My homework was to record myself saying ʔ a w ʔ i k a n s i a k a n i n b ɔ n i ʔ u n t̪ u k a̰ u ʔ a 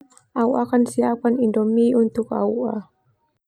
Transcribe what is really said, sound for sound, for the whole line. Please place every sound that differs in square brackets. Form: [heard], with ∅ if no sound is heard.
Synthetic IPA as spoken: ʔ a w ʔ [a] k a n s i a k a n i n [d] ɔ [m] i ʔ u n t̪ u k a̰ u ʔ a